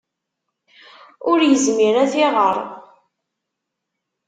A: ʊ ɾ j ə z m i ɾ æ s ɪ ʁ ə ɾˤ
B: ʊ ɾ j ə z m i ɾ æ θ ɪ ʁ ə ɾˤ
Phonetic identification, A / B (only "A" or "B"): B